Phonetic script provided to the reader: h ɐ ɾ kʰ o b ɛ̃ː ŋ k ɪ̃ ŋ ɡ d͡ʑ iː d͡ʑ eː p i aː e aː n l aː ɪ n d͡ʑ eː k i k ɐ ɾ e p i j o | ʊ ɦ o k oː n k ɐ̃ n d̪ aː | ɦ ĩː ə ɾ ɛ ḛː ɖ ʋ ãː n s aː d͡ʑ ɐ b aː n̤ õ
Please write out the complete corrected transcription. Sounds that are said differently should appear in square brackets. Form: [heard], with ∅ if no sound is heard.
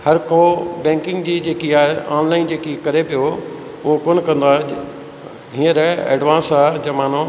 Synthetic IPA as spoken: h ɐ ɾ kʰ o b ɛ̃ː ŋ k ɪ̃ ŋ ɡ d͡ʑ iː d͡ʑ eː [k] i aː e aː n l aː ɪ n d͡ʑ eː k i k ɐ ɾ e p i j o | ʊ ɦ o k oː n k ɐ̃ n d̪ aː | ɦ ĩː ə ɾ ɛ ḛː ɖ ʋ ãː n s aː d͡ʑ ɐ [m] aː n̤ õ